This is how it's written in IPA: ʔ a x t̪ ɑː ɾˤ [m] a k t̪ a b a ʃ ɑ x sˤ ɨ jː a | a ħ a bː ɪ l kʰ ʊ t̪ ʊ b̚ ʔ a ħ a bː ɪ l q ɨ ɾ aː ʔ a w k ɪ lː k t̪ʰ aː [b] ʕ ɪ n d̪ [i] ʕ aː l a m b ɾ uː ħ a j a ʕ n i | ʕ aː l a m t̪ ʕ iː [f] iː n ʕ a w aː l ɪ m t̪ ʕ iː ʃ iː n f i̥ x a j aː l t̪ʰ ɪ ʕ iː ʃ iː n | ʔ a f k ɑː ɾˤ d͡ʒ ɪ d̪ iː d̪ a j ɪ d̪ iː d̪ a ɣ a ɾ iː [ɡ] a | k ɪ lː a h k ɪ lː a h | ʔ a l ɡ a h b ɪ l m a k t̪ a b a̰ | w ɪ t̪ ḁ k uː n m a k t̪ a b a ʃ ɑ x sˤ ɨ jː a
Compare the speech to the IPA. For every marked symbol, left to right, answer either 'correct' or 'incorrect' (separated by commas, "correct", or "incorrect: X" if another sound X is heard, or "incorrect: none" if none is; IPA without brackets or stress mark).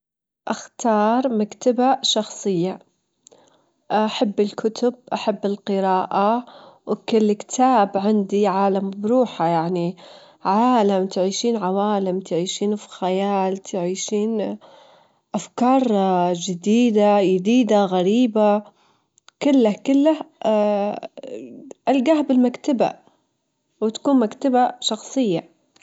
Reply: correct, correct, correct, incorrect: ʃ, incorrect: b